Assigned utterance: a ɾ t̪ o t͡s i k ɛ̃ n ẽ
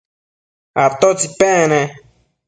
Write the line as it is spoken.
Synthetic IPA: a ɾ t̪ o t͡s i p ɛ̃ n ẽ